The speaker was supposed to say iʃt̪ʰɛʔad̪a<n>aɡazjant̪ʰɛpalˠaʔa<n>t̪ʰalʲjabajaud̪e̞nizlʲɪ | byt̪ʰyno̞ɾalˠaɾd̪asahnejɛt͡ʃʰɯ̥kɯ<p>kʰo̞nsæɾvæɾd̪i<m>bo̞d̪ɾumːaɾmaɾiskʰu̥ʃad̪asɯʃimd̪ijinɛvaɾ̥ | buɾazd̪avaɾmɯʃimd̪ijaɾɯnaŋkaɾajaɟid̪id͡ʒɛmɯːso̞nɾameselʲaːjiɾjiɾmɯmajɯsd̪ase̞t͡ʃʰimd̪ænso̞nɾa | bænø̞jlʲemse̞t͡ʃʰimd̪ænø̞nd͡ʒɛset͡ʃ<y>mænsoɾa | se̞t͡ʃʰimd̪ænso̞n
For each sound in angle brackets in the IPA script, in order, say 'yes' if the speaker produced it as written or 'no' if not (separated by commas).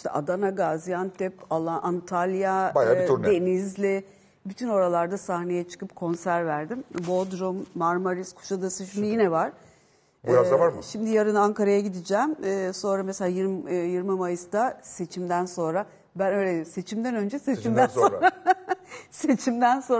yes, yes, yes, yes, no